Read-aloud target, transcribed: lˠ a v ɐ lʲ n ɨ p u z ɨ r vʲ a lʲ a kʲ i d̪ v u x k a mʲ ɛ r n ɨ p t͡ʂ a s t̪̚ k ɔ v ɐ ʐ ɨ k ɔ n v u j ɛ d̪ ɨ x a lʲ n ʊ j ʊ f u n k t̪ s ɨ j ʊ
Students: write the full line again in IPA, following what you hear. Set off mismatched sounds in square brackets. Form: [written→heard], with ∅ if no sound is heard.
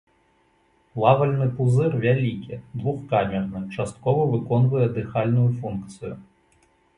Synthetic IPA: lˠ a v ɐ lʲ n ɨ p u z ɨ r vʲ a lʲ [a→i] kʲ i d̪ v u x k a mʲ ɛ r n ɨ [p→∅] t͡ʂ a s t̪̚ k ɔ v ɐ [ʐ→v] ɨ k ɔ n v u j ɛ d̪ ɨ x a lʲ n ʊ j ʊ f u n k t̪ s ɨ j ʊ